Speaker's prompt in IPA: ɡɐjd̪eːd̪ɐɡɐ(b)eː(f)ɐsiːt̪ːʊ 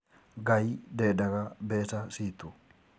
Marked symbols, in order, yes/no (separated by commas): yes, no